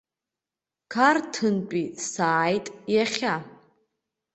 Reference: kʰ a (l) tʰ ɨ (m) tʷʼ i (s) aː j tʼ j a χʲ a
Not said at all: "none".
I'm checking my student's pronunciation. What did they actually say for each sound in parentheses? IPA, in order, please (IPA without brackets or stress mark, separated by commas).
r, n, s